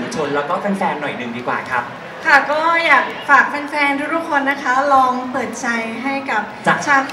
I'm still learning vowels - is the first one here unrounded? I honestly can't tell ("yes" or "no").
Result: no